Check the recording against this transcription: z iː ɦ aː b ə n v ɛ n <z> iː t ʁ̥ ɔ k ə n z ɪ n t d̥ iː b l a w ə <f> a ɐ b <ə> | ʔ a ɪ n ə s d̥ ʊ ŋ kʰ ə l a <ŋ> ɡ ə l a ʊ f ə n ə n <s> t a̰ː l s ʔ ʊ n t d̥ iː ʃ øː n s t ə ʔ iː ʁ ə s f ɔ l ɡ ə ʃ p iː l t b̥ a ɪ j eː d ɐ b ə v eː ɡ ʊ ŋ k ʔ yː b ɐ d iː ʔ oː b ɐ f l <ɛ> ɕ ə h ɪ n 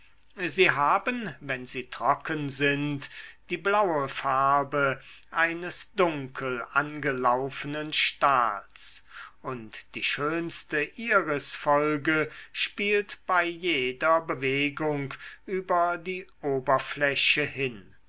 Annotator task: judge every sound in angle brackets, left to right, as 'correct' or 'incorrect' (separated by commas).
correct, correct, correct, incorrect, incorrect, correct